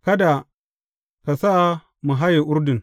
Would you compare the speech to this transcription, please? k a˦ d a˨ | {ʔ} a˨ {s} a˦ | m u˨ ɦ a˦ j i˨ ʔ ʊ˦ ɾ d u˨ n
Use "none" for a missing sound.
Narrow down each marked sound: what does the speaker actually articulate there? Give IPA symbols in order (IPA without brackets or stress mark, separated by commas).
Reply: k, s